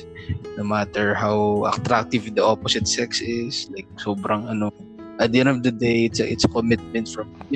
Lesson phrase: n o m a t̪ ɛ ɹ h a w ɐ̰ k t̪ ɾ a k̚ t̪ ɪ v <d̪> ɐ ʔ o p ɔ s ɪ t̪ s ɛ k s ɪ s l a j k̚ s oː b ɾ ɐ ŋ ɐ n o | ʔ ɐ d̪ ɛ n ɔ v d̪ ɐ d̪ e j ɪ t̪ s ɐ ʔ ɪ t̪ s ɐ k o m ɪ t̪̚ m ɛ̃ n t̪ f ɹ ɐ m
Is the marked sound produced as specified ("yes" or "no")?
yes